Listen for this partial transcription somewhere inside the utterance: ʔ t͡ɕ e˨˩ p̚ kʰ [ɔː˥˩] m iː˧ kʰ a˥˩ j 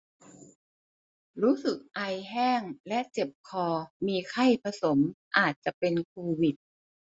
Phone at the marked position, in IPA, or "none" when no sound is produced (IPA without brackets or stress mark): ɔː˧